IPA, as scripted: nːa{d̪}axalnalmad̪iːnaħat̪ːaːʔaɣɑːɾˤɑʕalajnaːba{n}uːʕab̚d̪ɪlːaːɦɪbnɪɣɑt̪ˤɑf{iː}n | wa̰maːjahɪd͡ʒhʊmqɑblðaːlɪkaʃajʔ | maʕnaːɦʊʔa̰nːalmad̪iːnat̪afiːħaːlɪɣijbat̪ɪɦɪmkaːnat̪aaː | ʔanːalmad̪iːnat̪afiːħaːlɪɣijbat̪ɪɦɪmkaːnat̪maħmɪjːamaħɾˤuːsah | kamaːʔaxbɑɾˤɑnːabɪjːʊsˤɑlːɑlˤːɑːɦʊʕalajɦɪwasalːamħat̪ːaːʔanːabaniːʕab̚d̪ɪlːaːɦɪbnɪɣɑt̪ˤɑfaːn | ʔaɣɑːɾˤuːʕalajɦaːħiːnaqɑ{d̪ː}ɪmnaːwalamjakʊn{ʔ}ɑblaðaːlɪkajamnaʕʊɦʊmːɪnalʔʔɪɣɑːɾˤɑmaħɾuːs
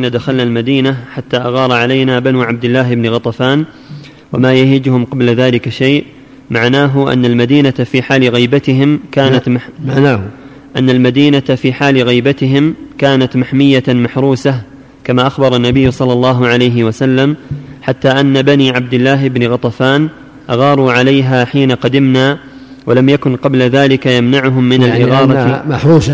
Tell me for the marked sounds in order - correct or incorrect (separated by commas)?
correct, correct, incorrect, incorrect, incorrect